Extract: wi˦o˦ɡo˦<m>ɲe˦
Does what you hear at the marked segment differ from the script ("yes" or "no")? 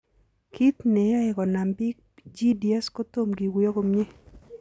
no